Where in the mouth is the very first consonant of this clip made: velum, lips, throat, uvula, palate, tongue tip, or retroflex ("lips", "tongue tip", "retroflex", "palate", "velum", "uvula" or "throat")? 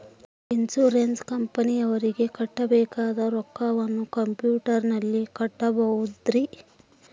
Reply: tongue tip